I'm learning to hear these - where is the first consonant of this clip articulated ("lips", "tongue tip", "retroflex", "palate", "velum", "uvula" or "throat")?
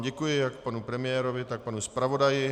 palate